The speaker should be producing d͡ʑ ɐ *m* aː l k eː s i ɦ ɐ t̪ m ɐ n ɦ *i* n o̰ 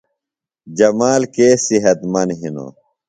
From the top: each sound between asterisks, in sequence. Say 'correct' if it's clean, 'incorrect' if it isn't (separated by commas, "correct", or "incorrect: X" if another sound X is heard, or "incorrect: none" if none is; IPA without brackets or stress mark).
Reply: correct, correct